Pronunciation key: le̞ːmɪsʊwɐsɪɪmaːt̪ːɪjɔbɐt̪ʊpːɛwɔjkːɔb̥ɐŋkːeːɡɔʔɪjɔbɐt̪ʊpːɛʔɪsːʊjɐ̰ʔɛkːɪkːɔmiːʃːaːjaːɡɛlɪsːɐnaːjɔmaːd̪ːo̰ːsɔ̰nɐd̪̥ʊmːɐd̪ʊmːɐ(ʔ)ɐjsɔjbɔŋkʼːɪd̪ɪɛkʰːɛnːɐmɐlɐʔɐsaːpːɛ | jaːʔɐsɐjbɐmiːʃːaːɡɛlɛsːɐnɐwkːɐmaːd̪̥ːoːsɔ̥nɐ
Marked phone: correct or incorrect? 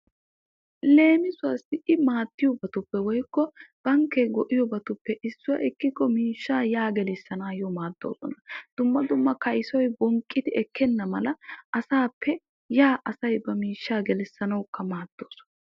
incorrect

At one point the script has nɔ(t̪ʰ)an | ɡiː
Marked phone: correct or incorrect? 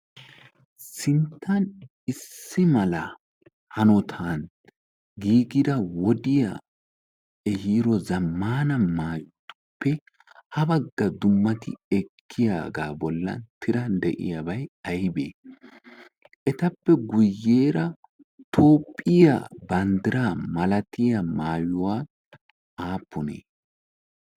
correct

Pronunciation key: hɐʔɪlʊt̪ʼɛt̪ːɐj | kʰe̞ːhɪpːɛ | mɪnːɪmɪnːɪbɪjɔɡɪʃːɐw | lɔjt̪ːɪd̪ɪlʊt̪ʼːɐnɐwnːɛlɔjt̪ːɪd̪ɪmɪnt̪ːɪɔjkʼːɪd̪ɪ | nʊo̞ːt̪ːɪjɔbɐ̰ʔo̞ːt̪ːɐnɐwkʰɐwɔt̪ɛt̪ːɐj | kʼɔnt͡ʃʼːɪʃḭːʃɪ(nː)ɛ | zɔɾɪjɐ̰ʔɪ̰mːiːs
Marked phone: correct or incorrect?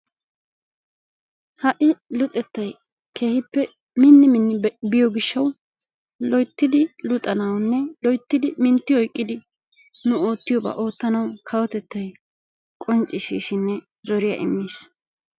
correct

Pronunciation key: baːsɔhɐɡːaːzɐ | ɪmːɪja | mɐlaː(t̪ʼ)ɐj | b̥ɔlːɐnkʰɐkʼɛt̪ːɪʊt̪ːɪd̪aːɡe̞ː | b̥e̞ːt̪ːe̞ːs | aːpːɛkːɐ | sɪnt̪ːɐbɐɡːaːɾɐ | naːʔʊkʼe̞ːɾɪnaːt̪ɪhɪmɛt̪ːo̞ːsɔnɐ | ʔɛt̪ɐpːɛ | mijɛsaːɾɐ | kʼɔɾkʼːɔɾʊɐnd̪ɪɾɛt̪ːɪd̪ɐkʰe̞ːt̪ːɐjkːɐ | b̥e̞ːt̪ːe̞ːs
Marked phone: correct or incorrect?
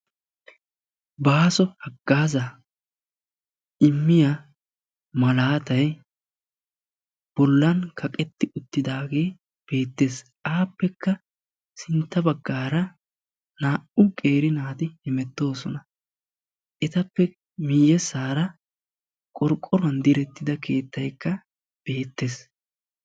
incorrect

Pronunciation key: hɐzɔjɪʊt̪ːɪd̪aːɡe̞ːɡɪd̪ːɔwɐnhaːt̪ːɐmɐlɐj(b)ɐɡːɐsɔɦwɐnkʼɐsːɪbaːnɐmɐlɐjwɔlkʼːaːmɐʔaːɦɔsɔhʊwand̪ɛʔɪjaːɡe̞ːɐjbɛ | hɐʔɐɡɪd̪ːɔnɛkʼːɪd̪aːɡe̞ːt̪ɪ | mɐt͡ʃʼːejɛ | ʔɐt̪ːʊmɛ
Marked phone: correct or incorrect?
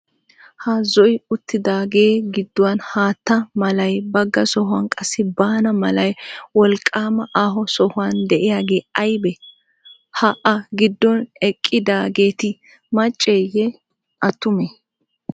correct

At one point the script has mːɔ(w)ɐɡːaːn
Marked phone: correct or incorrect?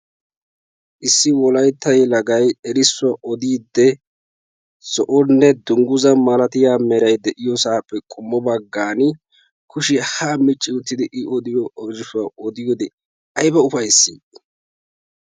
incorrect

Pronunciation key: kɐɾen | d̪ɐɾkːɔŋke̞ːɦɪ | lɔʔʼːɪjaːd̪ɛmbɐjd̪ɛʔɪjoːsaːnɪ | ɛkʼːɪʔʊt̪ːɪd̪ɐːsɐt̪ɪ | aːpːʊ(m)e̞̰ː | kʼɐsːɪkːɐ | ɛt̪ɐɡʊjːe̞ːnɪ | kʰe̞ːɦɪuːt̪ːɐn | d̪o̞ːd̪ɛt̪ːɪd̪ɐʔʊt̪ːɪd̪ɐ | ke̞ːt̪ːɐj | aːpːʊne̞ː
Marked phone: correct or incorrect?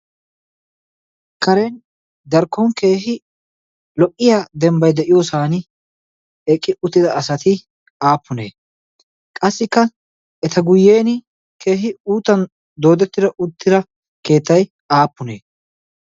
incorrect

